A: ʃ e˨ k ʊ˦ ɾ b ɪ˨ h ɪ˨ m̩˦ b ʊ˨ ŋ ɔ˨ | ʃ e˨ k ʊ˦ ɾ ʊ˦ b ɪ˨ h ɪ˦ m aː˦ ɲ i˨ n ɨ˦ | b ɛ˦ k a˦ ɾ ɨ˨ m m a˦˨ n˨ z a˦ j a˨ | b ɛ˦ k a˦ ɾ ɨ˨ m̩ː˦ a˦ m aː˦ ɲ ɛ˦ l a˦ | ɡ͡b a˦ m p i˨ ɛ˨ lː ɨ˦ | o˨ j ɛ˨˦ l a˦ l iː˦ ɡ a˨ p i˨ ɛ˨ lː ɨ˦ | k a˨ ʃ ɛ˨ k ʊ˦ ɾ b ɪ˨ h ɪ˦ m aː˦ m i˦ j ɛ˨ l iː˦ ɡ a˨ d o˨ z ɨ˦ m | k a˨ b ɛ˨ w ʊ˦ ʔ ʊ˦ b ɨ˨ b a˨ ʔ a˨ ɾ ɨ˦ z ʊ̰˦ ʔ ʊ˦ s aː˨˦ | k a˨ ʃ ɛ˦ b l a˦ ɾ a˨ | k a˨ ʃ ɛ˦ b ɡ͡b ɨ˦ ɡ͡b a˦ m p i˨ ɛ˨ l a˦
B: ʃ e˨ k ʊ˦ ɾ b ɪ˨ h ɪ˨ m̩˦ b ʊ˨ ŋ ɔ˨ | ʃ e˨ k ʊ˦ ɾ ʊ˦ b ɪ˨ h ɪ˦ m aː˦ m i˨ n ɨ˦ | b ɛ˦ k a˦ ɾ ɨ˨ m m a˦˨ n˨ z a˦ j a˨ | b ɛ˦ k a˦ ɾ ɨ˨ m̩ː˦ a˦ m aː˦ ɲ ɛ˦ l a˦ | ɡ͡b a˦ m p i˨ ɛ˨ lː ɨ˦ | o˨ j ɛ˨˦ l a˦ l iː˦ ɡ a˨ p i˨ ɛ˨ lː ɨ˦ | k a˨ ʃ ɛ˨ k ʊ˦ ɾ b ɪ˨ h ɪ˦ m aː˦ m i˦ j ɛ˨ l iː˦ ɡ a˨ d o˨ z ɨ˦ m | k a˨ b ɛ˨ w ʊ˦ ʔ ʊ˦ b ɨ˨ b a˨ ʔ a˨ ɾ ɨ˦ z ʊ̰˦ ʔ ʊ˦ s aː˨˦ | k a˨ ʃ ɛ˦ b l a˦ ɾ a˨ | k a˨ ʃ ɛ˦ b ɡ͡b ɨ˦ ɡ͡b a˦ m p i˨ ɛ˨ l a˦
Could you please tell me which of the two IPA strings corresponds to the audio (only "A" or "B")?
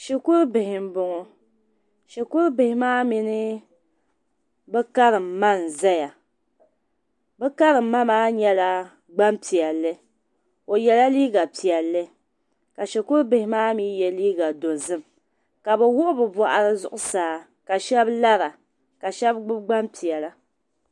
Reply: B